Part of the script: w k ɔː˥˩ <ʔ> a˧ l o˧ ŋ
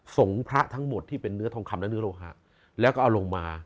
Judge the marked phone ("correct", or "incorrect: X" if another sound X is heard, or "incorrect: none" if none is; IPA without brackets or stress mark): correct